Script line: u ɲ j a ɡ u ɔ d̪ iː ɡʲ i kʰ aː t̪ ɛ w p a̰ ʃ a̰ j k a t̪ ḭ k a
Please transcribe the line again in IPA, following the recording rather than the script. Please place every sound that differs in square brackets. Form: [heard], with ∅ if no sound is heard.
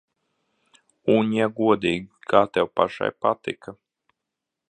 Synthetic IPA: u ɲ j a ɡ u ɔ d̪ iː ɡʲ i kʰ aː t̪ ɛ w p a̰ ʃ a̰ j [p] a t̪ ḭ k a